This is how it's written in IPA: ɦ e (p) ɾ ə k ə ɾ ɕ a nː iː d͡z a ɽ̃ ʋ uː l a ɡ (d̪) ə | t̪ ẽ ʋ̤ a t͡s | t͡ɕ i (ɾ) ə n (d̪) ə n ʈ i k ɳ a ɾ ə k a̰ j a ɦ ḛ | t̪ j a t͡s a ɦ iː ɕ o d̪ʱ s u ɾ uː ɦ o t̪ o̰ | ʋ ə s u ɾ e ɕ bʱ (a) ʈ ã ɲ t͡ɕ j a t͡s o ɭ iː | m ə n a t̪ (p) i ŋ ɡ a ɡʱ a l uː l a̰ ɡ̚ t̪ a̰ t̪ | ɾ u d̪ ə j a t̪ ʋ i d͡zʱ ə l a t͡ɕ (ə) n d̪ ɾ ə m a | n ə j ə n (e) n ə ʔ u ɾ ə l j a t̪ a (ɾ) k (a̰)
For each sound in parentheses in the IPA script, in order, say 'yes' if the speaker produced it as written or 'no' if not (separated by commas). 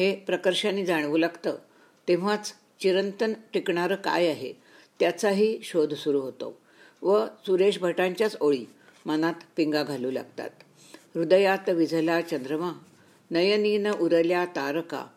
yes, no, yes, no, no, yes, yes, no, yes, yes